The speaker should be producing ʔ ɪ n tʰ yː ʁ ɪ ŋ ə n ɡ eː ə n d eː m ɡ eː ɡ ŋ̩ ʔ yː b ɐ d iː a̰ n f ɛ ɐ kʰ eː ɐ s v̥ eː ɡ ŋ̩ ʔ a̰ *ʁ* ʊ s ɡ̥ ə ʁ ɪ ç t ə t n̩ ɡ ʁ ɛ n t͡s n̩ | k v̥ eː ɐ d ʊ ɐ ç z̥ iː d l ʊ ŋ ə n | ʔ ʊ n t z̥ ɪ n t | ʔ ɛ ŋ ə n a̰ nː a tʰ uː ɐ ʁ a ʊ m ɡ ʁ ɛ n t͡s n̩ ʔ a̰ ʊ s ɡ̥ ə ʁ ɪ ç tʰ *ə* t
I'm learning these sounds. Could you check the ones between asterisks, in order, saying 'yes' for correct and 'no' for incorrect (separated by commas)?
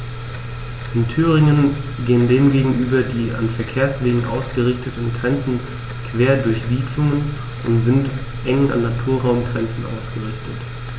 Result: no, yes